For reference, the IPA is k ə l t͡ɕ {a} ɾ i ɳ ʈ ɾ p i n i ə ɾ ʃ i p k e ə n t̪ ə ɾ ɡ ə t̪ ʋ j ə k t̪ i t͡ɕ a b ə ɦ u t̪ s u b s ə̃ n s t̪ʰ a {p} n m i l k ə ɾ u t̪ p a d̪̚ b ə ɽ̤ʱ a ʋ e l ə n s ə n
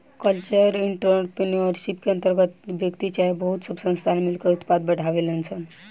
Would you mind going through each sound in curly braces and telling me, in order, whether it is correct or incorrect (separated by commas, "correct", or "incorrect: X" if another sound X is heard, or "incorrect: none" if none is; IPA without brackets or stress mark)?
incorrect: ə, incorrect: none